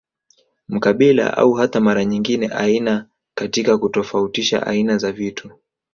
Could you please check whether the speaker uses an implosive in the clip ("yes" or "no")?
yes